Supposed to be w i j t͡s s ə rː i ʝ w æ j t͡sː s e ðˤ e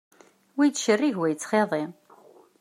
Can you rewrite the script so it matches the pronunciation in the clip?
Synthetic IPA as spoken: w i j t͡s ʃ ə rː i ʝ w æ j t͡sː χ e ðˤ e